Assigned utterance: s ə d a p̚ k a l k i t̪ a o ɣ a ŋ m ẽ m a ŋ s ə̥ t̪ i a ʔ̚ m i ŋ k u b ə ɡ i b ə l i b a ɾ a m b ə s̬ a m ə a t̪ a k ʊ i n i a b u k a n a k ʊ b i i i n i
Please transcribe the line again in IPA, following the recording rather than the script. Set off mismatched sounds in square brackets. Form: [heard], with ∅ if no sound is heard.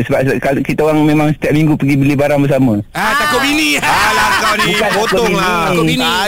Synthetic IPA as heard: s ə [b] a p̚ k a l k i t̪ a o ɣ a ŋ m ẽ m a ŋ s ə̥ t̪ i a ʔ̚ m i ŋ [ɡ] u [p] ə ɡ i b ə l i b a ɾ a [ŋ] b ə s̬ a m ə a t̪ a k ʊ i n i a b u k a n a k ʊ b i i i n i